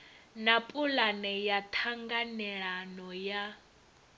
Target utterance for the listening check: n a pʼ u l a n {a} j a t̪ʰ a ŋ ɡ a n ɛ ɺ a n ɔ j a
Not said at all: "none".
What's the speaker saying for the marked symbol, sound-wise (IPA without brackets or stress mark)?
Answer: ɛ